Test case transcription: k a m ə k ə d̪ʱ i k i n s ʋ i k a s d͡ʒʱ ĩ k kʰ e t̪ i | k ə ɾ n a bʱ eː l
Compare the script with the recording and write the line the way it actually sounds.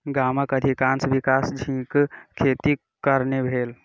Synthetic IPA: ɡ a m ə k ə d̪ʱ i k a n s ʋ i k a s d͡ʒʱ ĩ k kʰ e t̪ i | k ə ɾ n e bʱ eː l